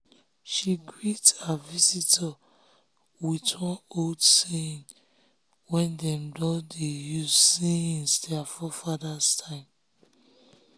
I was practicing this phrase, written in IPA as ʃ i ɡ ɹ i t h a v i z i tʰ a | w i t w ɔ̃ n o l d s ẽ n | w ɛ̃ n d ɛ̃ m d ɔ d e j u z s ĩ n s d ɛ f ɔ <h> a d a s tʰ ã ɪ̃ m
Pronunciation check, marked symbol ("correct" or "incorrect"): incorrect